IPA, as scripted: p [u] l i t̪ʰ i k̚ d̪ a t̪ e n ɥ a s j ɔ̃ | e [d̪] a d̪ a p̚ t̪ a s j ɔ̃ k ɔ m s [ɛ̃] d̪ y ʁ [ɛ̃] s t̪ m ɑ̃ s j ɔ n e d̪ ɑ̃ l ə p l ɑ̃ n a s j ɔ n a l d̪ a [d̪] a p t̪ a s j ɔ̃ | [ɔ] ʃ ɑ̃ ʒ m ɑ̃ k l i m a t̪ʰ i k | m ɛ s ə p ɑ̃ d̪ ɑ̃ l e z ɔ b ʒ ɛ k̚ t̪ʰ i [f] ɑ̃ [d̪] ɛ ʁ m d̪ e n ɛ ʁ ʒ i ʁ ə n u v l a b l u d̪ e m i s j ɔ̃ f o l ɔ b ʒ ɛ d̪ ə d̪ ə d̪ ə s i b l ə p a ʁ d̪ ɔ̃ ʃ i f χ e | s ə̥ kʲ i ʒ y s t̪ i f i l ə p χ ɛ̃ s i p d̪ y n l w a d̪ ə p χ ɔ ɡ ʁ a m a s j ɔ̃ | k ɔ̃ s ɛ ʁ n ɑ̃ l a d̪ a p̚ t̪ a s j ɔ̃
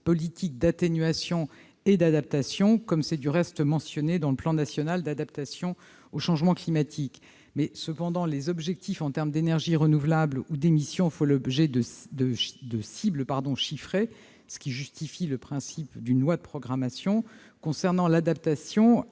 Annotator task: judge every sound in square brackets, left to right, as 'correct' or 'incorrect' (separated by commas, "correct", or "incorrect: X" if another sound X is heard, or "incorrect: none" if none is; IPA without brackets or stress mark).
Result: incorrect: ɔ, correct, incorrect: ɛ, incorrect: ɛ, correct, incorrect: o, correct, incorrect: t̪